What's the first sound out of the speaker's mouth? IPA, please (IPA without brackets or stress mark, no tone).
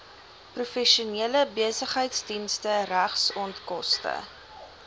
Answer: p